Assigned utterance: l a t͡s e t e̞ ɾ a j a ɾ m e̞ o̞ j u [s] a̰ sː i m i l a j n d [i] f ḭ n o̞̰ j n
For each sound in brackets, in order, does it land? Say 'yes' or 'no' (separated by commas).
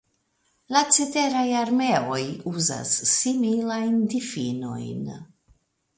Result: no, yes